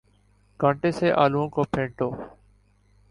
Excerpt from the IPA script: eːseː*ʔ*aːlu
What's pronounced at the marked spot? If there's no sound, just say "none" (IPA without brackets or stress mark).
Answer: ʔ